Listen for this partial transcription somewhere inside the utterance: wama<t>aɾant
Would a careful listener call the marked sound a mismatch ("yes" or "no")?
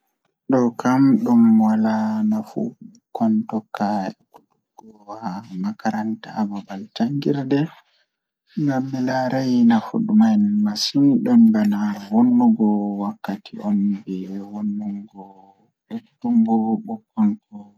yes